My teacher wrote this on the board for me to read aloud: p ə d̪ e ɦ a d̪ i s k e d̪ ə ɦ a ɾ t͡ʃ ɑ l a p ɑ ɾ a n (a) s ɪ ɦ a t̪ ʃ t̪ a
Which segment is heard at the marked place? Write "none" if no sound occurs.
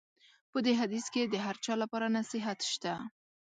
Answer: a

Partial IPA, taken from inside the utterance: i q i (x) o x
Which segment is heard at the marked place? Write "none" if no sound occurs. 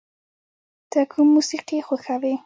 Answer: x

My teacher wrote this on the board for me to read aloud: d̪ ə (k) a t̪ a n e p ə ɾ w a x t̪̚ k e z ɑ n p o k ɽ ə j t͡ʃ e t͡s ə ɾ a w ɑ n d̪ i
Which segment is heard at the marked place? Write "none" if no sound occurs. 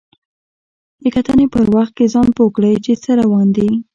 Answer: k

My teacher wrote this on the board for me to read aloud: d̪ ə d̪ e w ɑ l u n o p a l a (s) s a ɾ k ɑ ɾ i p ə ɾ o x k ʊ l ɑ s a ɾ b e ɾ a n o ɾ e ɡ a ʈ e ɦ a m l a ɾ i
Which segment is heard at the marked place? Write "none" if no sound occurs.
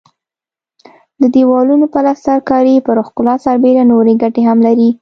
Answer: s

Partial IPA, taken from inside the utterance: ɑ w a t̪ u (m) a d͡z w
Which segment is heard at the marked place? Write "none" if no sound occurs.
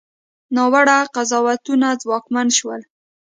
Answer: n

